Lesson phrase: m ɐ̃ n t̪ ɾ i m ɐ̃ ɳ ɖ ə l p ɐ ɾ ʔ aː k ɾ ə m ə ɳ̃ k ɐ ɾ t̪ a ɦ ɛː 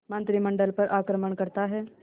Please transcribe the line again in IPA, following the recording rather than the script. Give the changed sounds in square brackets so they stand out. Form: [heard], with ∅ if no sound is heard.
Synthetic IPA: m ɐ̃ n t̪ ɾ i m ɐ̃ ɳ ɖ ə l p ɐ ɾ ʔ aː k ɾ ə m ə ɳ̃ k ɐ ɾ t̪ a ɦ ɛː